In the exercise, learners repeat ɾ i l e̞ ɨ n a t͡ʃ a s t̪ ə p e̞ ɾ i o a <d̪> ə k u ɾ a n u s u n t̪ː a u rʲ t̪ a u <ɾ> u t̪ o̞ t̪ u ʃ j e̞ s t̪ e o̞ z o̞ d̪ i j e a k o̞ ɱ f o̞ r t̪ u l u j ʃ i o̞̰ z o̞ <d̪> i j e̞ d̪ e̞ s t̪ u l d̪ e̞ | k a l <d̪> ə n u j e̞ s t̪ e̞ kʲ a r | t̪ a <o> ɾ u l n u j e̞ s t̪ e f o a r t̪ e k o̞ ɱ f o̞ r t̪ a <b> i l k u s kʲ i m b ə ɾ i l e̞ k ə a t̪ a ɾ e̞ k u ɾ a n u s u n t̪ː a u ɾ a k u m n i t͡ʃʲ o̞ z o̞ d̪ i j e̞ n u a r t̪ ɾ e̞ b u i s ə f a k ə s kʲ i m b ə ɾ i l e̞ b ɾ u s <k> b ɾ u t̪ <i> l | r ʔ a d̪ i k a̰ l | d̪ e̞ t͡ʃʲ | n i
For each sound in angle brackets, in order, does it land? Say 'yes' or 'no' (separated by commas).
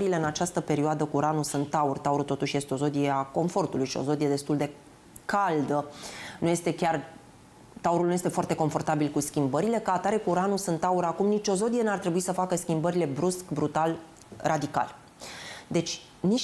yes, yes, yes, yes, no, yes, yes, no